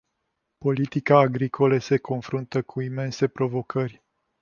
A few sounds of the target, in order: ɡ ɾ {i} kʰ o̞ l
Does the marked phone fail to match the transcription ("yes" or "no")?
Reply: no